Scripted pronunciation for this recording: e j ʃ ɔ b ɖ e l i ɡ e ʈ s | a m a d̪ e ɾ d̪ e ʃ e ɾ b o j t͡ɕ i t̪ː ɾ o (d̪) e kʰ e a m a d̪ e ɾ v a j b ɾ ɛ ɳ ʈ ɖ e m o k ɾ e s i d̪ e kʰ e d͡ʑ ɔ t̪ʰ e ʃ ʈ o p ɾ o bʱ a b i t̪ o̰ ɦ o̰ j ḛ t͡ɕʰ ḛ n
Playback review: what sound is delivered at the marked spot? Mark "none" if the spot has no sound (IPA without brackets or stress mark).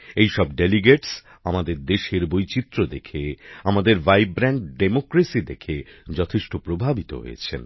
d̪